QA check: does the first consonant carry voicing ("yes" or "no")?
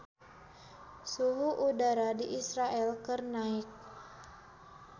no